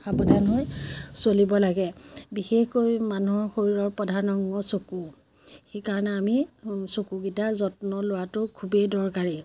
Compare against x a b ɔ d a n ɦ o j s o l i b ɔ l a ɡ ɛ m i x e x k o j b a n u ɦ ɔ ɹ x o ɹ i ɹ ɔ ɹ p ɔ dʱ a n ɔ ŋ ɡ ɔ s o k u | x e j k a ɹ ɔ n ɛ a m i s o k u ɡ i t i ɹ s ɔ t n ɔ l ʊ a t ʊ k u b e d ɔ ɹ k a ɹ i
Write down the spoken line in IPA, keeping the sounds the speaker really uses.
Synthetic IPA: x a b ɔ d a n ɦ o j s o l i b ɔ l a ɡ ɛ b i x e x k o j m a n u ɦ ɔ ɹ x o ɹ i ɹ ɔ ɹ p ɔ dʱ a n ɔ ŋ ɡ ɔ s o k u | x e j k a ɹ ɔ n ɛ a m i s o k u ɡ i t a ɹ z ɔ t n ɔ l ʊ a t ʊ kʰ u b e d ɔ ɹ k a ɹ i